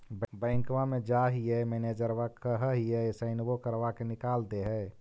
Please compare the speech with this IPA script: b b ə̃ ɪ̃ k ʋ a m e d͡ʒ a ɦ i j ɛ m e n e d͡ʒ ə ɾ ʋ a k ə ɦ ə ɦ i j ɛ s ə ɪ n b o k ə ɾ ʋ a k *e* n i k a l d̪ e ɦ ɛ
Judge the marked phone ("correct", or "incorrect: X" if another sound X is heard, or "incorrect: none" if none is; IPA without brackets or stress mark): correct